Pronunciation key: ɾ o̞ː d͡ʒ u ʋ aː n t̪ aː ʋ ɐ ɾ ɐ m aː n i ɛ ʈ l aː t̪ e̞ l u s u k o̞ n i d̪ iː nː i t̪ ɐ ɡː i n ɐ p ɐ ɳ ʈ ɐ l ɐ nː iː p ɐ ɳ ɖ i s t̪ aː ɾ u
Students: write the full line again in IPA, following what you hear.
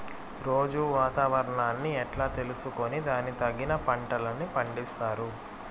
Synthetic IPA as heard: ɾ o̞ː d͡ʒ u ʋ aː t̪ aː ʋ ɐ ɾ ɐ ɳ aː nː i ɛ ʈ l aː t̪ e̞ l u s u k o̞ n i d̪ aː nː i t̪ ɐ ɡː i n ɐ p ɐ ɳ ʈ ɐ l ɐ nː i p ɐ ɳ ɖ i s t̪ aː ɾ u